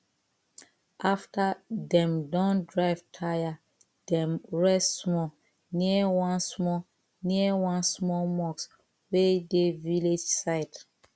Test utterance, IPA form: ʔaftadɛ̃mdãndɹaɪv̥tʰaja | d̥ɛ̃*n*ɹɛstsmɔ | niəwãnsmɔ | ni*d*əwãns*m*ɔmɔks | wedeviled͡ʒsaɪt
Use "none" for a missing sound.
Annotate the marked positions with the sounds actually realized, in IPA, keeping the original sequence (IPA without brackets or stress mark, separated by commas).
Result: m, none, m